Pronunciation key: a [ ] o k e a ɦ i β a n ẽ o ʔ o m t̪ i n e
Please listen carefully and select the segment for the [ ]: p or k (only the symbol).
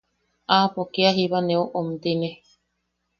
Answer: p